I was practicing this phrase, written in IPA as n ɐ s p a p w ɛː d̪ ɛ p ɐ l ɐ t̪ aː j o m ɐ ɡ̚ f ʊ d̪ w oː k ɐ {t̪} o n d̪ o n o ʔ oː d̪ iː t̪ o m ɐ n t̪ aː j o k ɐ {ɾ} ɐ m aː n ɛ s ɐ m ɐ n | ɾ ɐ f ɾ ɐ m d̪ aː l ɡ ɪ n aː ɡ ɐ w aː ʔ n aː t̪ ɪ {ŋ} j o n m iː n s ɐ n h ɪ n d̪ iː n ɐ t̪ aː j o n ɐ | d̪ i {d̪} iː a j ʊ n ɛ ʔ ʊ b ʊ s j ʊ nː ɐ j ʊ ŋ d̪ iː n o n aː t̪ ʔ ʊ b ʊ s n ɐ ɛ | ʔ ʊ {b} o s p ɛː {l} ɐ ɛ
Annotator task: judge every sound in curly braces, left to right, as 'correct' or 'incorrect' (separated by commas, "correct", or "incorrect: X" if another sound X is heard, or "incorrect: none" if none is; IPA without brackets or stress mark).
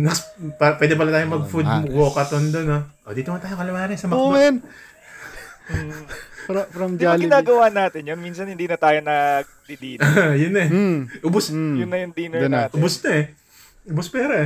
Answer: correct, incorrect: l, incorrect: n, correct, correct, incorrect: ɾ